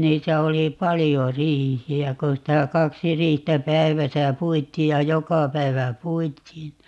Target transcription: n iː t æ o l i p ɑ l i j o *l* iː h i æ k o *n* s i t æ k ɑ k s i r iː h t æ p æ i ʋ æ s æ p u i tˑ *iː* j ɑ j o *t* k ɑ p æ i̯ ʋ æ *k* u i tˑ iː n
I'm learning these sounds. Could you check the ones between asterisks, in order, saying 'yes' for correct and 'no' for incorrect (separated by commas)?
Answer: no, yes, yes, no, no